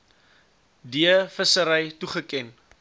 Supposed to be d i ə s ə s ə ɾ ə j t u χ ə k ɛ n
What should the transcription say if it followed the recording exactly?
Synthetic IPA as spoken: d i ə f ə s ə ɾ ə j t u χ ə k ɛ n